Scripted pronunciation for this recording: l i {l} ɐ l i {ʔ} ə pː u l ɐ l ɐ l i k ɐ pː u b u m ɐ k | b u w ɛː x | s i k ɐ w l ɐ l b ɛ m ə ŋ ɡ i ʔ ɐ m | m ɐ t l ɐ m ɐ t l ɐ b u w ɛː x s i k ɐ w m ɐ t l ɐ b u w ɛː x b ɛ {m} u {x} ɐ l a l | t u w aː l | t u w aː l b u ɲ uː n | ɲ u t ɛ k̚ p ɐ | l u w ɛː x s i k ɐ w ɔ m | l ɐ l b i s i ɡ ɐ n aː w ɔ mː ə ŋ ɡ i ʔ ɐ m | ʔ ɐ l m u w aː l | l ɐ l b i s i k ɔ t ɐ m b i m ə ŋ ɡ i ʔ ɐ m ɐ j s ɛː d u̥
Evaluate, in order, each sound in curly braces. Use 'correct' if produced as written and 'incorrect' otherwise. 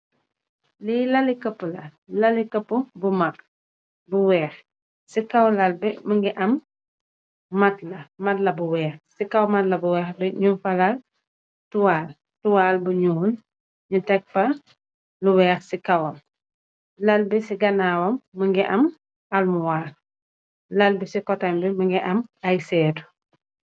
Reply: correct, incorrect: k, incorrect: ɲ, incorrect: f

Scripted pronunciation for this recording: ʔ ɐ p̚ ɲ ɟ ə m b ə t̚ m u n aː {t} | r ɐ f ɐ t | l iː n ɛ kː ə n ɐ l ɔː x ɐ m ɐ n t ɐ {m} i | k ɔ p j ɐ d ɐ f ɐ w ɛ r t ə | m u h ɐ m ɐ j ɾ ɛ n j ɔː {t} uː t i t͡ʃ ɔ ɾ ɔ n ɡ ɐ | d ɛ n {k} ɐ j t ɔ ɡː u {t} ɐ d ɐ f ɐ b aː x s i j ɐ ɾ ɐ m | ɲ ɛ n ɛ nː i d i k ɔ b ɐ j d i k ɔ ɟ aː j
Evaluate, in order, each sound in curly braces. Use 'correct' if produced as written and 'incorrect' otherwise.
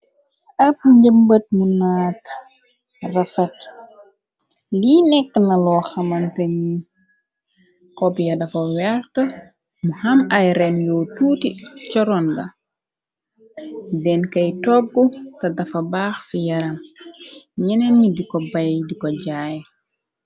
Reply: correct, incorrect: ɲ, correct, correct, correct

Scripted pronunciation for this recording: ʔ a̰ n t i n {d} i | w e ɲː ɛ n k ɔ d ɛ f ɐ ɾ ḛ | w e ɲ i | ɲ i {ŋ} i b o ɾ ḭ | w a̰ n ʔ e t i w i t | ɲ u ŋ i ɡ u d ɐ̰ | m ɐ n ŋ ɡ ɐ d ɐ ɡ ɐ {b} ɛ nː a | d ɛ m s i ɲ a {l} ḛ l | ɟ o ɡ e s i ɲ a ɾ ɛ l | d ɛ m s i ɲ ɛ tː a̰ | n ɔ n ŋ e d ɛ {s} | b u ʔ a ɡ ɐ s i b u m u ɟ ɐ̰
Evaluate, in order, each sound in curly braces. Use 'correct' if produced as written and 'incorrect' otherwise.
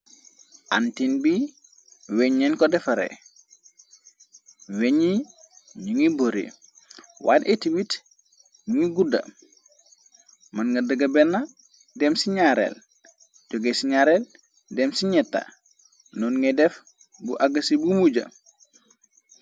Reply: incorrect: b, correct, correct, incorrect: ɾ, incorrect: f

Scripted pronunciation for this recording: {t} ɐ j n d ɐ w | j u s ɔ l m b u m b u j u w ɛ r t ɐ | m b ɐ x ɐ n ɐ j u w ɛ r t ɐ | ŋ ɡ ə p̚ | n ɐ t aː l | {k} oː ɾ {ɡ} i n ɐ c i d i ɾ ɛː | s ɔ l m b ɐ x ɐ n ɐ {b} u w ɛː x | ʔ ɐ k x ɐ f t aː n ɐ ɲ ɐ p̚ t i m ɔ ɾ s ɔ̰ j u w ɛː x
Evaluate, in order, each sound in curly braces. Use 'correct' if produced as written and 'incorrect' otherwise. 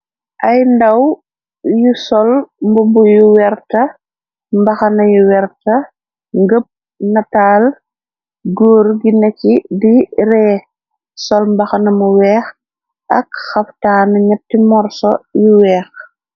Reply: incorrect: ʔ, incorrect: ɡ, correct, incorrect: m

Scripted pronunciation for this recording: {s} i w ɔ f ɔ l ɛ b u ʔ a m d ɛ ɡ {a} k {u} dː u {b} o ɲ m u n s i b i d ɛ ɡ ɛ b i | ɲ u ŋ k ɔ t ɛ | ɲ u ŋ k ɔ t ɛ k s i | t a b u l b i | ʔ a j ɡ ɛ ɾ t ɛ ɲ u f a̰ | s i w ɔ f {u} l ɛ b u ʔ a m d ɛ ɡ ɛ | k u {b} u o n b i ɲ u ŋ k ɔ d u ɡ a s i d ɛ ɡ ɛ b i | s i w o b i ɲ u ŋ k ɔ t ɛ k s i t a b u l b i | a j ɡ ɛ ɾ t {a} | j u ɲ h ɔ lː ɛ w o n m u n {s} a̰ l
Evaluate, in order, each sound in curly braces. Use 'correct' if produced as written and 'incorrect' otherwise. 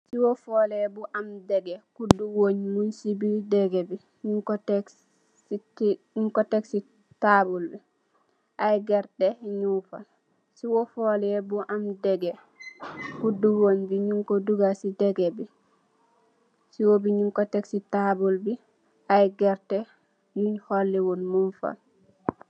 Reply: correct, incorrect: ɛ, correct, incorrect: w, incorrect: ɔ, incorrect: d, incorrect: ɛ, incorrect: f

